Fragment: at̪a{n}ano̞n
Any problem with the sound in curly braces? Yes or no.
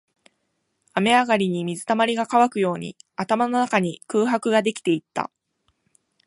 yes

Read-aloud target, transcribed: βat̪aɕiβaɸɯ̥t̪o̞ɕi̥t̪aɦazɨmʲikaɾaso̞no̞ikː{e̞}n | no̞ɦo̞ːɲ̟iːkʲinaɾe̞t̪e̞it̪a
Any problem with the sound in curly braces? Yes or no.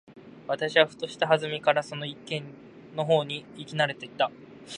yes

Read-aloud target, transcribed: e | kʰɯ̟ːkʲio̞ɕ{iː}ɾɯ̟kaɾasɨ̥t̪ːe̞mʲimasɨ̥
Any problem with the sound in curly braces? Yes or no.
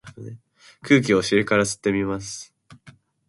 yes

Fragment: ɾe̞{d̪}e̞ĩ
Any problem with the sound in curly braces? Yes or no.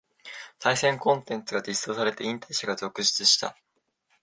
yes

